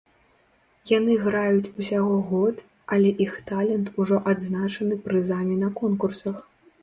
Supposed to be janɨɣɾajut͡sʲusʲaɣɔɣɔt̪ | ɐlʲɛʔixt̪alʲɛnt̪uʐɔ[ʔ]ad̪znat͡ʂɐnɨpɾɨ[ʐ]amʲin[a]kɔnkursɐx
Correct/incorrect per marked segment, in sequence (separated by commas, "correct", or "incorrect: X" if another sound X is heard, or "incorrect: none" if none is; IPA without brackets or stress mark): correct, incorrect: z, incorrect: ɐ